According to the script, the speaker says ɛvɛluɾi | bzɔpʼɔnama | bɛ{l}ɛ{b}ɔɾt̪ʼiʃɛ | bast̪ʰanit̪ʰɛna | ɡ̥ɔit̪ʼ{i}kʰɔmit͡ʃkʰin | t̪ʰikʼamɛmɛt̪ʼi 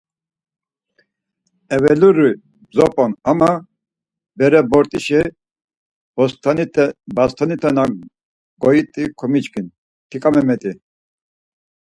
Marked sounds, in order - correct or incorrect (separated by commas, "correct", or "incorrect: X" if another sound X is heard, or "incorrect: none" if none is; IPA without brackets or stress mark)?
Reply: incorrect: ɾ, correct, correct